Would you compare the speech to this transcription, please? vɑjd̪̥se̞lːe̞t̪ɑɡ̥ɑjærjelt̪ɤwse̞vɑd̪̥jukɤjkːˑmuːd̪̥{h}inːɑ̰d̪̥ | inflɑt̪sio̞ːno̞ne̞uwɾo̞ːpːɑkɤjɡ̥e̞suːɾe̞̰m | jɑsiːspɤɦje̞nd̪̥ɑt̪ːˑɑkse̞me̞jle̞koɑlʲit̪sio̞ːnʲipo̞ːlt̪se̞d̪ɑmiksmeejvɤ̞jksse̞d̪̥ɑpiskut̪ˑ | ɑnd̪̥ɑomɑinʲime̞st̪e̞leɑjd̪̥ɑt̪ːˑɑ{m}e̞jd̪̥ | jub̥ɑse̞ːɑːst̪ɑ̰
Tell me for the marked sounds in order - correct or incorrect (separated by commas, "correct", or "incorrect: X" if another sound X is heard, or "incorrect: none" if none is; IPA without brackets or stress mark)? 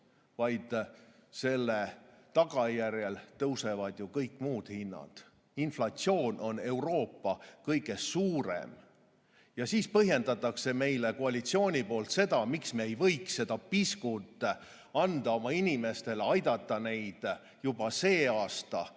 correct, incorrect: n